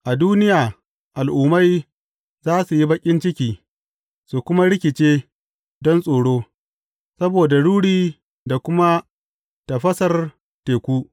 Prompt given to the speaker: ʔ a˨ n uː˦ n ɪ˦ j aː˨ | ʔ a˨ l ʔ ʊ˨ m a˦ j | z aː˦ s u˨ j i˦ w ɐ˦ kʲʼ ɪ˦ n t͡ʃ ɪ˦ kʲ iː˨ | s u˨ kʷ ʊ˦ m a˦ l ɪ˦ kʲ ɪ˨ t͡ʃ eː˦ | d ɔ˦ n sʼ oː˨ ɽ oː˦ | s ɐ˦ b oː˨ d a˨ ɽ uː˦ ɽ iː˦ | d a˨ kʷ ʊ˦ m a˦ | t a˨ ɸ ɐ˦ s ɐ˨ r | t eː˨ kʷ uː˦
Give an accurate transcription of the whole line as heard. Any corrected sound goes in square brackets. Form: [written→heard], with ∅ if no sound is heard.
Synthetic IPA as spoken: ʔ a˨ [n→d] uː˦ n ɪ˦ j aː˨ | ʔ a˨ l ʔ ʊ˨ m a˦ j | z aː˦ s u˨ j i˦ [w→b] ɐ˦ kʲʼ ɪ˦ n t͡ʃ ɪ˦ kʲ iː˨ | s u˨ kʷ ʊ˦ m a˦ [l→ɽ] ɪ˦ kʲ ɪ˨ t͡ʃ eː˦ | d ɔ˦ n sʼ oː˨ ɽ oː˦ | s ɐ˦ b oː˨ d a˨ ɽ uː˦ ɽ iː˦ | d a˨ kʷ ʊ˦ m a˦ | t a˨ ɸ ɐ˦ s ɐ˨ r | t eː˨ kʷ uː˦